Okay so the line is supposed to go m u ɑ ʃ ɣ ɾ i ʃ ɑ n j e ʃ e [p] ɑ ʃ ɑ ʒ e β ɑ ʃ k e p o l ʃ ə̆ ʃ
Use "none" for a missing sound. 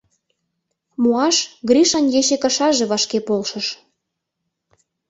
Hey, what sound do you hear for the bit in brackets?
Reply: k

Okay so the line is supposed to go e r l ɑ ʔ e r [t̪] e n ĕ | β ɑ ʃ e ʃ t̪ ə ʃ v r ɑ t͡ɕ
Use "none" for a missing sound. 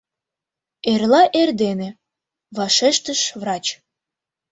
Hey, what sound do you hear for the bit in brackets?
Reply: d̪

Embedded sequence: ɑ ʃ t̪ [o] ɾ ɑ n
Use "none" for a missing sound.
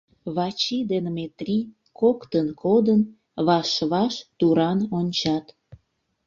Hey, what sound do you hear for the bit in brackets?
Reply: u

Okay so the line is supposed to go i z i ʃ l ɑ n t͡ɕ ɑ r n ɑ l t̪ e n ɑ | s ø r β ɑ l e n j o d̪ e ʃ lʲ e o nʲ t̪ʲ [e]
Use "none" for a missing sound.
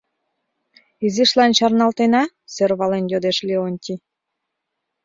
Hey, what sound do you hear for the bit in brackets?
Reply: i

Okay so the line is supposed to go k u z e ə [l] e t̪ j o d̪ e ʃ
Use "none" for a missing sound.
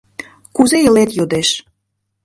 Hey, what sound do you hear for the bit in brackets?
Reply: l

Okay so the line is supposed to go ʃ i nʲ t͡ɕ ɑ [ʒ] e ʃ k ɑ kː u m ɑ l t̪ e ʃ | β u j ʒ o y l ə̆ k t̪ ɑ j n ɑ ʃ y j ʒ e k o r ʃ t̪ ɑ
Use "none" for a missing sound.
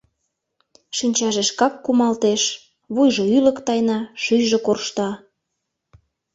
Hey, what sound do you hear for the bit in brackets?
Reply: ʒ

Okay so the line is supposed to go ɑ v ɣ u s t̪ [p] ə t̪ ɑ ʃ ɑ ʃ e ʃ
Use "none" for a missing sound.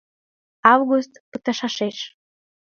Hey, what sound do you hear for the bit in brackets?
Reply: p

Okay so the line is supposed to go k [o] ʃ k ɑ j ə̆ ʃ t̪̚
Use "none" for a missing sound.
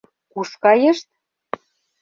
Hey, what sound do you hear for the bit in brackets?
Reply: u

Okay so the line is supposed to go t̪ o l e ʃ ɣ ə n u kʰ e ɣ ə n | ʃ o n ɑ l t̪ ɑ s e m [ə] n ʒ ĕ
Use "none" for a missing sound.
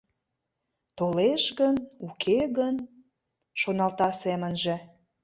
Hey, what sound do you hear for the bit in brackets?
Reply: ə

